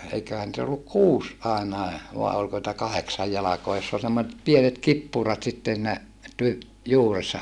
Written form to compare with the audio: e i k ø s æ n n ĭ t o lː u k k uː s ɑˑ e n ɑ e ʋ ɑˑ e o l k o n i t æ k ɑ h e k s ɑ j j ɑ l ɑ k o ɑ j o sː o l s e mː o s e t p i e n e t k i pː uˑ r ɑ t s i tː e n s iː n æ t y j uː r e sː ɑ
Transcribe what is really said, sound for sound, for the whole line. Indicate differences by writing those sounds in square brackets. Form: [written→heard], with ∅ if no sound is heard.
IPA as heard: e i k ø [s→h] æ n n ĭ t o lː u k k uː s ɑˑ e n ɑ e ʋ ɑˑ e o l k o n i t æ k ɑ h e k s ɑ j j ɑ l ɑ k o ɑ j o sː o l s e mː o s e t p i e n e t k i pː uˑ r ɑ t s i tː e n s iː n æ t y j uː r e sː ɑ

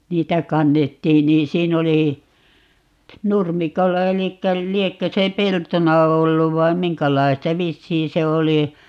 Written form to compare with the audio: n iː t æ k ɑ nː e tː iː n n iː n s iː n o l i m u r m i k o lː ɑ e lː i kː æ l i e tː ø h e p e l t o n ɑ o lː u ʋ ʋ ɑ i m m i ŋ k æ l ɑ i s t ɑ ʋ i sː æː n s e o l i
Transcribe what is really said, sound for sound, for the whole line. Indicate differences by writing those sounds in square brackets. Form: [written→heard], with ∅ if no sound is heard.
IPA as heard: n iː t æ k ɑ nː e tː iː n n iː n s iː n o l i [m→n] u r m i k o lː ɑ e [lː→l] i kː æ l i e [tː→kː] ø [h→s] e p e l t o n ɑ o lː u ʋ ʋ ɑ i m m i ŋ k æ l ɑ i s t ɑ ʋ i sː [æː→iː] n s e o l i

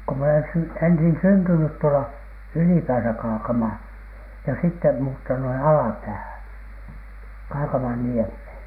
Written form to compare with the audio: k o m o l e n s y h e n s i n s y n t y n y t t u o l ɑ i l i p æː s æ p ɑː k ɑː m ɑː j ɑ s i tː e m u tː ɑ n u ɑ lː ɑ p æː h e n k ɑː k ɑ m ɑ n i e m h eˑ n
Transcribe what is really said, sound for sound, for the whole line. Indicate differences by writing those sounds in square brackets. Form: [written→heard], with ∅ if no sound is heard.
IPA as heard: k o m o l e n s y [h→∅] e n s i n s y n t y n y t t u o l ɑ [i→y] l i p æː s æ [p→k] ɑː k [ɑː→ɑ] m ɑː j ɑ s i tː e m [u→uː] tː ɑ n u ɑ [lː→l] ɑ p æː h [e→æ] n k ɑː k ɑ m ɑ [n→nː] i e m h eˑ n

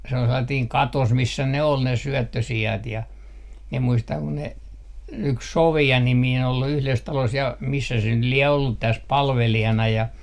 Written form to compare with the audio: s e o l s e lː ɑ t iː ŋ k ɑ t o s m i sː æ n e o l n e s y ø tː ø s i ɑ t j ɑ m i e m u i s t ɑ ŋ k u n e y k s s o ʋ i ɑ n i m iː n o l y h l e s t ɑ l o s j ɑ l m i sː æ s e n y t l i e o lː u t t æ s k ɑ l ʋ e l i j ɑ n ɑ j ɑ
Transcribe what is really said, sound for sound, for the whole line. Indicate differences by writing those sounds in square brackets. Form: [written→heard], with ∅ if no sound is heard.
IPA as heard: s e o l s e lː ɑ t iː ŋ k ɑ t o s m i sː æ n e o l n e s y ø tː ø s i ɑ t j ɑ m i e m u i s t ɑ ŋ k u n e y k s s o ʋ i ɑ n i m iː n o l y h l e s t ɑ l o s j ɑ [l→∅] m i sː æ s e n y t l i e o lː u t t æ s [k→p] ɑ l ʋ e l i j ɑ n ɑ j ɑ

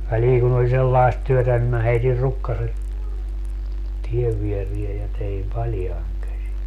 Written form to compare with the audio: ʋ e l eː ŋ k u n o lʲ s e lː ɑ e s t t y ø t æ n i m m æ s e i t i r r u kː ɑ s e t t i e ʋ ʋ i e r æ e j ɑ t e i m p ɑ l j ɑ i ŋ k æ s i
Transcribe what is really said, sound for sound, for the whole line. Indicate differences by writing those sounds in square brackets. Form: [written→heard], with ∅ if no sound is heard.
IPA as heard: ʋ [e→æ] l [eː→iː] ŋ k u n o lʲ s e lː ɑ e s t t y ø t æ n i m m æ [s→h] e i t i r r u kː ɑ s e t t i e ʋ ʋ i e r [æ→i] e j ɑ t e i m p ɑ l j ɑ i ŋ k æ s i

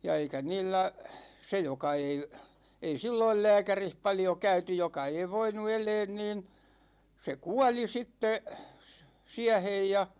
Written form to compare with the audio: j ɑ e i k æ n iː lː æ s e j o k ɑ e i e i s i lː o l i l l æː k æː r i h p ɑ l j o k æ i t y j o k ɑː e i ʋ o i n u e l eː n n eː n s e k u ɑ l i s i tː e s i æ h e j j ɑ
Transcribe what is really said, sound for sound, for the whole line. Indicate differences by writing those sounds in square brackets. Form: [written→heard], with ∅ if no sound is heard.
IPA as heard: j ɑ e i k æ n iː lː æ s e j o k ɑ e i e i s i lː o [l→∅] i l l æː k [æː→æ] r i h p ɑ l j o k æ [i→y] t y j o k [ɑː→ɑ] e i ʋ o i n u e l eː n n [eː→iː] n s e k u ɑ l i s i tː e s i æ h e j j ɑ

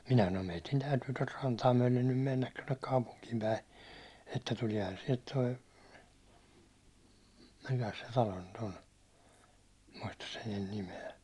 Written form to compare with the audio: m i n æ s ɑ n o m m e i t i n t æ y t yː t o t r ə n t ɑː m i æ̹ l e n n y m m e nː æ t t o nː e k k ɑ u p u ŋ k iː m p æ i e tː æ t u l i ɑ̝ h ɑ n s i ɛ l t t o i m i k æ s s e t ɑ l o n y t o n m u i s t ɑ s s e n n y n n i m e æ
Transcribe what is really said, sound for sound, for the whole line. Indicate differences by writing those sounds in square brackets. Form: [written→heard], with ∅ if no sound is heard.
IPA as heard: m i n æ s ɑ n o m m e i t i n t æ y t yː t o t r [ə→ɑ] n t ɑː m [i→y] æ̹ l e n n y m m e nː æ t t o nː e k k ɑ u p u ŋ k iː m p æ i e tː æ t u l i ɑ̝ h ɑ n s i ɛ l t t o i m i k æ s s e t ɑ l o n y t o n m u i s t ɑ s s e n n y n n i m e æ

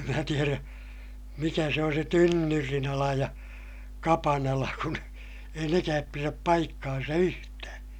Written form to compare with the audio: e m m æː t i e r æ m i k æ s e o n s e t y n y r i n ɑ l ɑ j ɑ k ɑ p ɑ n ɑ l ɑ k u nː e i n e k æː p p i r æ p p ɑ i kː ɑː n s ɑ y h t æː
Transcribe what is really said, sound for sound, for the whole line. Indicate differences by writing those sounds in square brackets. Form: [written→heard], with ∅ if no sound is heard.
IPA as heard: e m m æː t i e r æ m i k æ s e o n s e t y [n→nː] y r i n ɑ l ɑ j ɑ k ɑ p ɑ n ɑ l ɑ k u [nː→n] e i n e k æː p p i r æ p p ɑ i kː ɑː n s ɑ y h t æː

